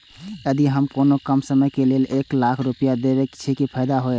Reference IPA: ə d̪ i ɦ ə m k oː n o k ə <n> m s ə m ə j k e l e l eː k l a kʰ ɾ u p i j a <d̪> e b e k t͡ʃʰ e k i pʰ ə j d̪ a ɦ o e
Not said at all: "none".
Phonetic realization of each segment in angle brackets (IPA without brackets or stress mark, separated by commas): none, d̪